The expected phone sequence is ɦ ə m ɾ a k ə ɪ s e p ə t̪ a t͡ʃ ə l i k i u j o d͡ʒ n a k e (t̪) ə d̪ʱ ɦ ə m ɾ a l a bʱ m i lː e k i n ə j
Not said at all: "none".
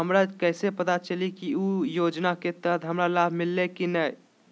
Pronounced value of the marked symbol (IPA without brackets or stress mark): t̪